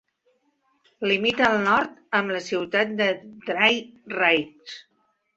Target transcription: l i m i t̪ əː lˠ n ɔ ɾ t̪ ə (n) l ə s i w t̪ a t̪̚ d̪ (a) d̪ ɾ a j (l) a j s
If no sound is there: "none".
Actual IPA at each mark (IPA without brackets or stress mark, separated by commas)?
m, ə, r